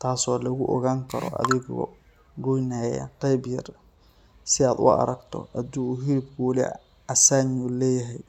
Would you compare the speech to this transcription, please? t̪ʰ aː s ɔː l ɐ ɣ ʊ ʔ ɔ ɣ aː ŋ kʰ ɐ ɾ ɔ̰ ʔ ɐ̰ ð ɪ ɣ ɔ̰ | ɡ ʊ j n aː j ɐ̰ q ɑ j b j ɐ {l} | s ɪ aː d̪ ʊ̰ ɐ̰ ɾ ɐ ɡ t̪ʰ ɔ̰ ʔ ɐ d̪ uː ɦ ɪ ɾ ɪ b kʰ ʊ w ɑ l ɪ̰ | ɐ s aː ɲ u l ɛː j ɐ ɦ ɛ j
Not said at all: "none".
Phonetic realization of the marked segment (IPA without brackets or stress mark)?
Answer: r